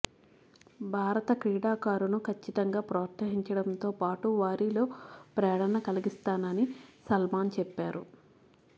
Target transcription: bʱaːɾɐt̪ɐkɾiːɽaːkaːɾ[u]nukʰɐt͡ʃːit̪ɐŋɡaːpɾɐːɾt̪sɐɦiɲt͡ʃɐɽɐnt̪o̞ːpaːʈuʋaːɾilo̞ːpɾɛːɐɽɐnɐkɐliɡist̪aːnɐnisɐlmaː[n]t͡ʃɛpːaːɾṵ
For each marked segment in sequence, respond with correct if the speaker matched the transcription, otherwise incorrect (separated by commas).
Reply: correct, correct